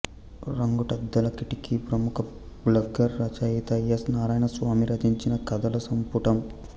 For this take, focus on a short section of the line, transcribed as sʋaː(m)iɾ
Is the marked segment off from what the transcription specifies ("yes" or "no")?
no